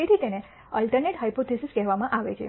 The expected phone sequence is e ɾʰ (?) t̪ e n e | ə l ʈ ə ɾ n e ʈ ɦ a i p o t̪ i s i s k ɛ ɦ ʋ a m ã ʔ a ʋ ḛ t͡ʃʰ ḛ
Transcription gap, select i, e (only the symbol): i